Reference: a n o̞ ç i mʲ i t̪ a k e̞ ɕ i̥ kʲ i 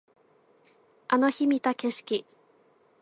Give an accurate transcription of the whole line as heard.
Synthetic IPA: a n o̞ ç i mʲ i t̪ a k e̞ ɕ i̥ kʲ i